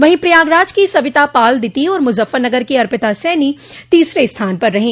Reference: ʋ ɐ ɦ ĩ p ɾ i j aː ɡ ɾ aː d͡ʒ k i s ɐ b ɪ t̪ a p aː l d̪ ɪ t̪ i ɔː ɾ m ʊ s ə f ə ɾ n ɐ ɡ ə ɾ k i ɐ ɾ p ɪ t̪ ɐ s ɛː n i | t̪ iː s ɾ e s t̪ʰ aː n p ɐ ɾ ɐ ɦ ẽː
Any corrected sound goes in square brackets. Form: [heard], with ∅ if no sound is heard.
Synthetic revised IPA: ʋ ɐ ɦ ĩ p ɾ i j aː ɡ ɾ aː d͡ʒ k i s ɐ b ɪ t̪ a p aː l d̪ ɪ t̪ i ɔː ɾ m ʊ [z] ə f ə ɾ n ɐ ɡ ə ɾ k i ɐ ɾ p ɪ t̪ [a] s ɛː n i | t̪ iː s ɾ e s t̪ʰ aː n p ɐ [ɾː] ɐ ɦ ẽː